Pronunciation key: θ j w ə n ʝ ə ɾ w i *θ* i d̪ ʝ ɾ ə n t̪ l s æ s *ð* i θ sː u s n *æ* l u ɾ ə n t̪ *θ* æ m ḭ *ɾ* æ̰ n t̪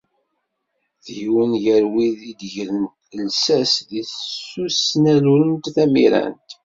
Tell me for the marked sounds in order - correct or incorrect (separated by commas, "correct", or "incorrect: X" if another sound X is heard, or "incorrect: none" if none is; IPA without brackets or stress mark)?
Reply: incorrect: ð, correct, correct, correct, correct